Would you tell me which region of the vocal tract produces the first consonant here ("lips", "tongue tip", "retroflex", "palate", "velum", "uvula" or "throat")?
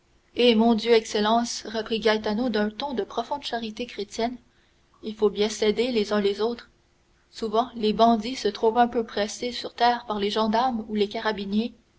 lips